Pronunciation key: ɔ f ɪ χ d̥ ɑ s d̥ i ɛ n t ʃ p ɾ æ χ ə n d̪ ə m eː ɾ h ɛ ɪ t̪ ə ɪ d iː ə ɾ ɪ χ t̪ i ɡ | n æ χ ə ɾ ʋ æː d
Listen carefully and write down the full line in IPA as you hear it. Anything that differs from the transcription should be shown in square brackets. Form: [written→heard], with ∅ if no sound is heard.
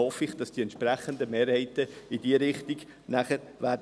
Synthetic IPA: ɔ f ɪ χ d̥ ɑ s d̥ i ɛ n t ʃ p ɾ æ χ ə n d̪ ə m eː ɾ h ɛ ɪ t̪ ə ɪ d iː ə ɾ ɪ χ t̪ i ɡ | n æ χ ə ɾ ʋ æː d